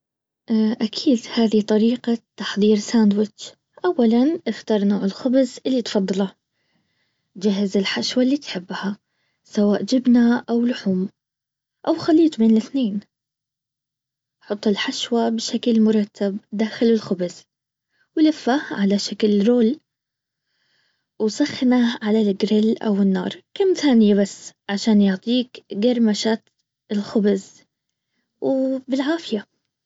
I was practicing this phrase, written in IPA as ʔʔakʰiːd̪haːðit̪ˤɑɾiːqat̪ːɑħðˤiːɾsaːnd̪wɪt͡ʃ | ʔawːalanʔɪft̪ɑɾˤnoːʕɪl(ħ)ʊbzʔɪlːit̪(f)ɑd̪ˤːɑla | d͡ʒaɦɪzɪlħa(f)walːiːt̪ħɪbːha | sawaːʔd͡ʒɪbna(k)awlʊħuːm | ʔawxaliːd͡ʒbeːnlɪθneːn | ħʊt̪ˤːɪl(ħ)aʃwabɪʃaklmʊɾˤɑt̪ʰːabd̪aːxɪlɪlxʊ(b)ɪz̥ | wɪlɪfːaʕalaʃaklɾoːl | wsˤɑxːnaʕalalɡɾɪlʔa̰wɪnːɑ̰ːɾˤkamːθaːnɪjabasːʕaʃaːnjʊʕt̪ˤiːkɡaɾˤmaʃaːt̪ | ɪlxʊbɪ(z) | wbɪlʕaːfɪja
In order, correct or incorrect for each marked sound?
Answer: incorrect, correct, incorrect, incorrect, correct, correct, correct

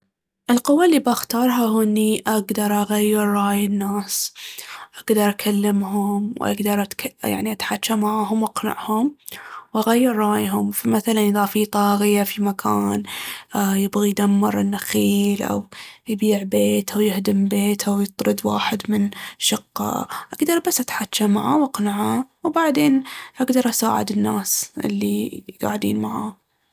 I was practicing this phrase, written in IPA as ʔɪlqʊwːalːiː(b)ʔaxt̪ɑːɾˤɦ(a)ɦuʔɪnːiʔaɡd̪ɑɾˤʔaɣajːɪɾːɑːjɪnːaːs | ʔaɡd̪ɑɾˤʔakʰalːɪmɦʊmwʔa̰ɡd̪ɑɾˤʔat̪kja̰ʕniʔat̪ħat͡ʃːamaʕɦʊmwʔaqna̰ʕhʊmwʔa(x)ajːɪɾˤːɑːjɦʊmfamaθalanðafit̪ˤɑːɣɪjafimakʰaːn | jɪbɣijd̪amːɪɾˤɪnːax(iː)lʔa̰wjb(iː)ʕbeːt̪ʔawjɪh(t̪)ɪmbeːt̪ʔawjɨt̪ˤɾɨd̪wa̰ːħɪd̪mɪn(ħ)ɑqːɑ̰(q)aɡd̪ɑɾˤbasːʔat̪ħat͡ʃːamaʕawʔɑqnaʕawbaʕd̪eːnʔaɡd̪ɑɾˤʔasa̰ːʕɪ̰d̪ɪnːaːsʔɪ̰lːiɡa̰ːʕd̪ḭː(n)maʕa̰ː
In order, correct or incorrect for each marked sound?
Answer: correct, correct, incorrect, correct, correct, incorrect, incorrect, incorrect, correct

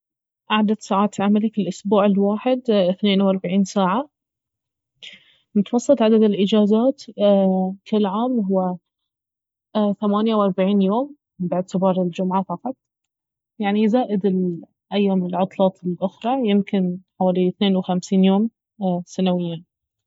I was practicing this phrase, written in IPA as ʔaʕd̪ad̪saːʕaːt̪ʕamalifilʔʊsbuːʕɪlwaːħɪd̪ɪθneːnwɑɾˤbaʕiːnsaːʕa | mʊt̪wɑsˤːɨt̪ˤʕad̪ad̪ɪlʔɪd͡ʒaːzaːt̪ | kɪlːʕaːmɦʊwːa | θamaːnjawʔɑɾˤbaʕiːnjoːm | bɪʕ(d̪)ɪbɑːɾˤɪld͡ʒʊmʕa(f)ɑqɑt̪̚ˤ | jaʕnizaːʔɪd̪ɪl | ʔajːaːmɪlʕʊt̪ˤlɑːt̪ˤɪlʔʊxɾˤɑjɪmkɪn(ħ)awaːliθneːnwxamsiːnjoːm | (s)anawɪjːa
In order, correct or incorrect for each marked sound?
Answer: incorrect, correct, correct, correct

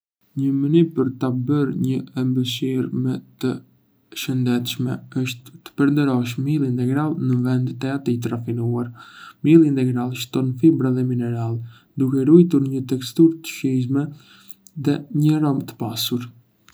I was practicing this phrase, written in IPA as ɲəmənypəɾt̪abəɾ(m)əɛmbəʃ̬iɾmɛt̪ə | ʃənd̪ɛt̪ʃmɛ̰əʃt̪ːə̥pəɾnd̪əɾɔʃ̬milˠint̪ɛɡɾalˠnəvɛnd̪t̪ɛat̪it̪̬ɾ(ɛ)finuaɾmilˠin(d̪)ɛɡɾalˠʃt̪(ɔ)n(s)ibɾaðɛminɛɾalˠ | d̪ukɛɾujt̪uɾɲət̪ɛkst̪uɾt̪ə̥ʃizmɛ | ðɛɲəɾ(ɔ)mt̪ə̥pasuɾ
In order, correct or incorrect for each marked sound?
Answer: incorrect, incorrect, incorrect, correct, incorrect, correct

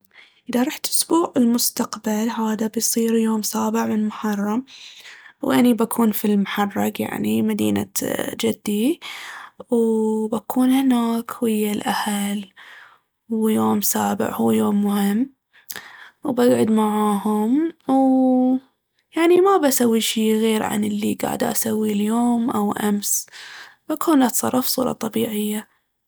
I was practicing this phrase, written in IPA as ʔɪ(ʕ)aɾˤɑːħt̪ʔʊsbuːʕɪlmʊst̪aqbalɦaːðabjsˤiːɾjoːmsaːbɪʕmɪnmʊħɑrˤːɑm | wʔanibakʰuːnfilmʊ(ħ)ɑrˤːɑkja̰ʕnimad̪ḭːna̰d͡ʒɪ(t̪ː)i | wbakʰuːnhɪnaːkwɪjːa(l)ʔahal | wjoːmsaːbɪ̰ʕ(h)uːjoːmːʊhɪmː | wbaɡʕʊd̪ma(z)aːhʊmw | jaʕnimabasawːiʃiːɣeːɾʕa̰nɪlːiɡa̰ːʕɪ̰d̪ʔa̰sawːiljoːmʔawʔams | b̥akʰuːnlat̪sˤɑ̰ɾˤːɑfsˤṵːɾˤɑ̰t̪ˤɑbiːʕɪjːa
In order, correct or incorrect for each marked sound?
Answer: incorrect, correct, incorrect, correct, correct, incorrect

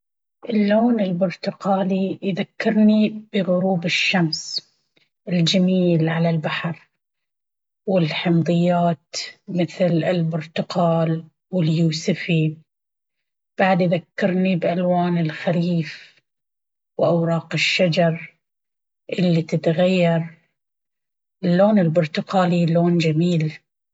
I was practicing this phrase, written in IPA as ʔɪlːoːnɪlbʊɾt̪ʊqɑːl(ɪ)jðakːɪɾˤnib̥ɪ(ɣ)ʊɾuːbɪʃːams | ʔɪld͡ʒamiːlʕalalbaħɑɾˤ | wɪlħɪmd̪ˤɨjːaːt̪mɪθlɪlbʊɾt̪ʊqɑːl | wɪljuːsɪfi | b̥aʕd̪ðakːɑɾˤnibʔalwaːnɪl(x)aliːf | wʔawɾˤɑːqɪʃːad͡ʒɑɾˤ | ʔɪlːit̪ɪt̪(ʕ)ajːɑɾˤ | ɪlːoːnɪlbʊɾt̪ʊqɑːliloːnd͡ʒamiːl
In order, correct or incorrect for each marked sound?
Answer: incorrect, correct, correct, incorrect

